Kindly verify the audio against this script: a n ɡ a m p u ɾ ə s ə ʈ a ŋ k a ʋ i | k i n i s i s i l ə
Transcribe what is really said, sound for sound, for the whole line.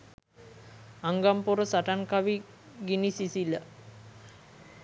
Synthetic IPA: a ŋ ɡ a m p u ɾ ə s a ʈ a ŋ k a ʋ i | ɡ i n i s i s i l ə